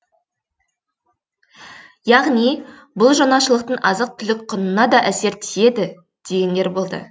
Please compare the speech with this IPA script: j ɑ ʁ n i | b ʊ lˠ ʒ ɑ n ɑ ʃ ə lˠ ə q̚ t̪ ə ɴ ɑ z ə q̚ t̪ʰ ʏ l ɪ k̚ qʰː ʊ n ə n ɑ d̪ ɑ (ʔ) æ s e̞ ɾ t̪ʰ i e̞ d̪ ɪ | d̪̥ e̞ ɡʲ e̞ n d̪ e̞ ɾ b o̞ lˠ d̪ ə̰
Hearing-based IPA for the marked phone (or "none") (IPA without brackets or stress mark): ʔ